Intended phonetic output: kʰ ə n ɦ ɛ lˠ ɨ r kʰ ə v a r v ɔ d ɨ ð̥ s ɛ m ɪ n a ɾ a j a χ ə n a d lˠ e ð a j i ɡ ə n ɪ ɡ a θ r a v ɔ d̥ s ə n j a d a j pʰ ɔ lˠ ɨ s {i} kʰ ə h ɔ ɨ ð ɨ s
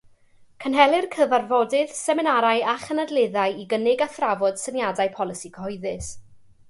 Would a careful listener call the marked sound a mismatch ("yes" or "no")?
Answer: no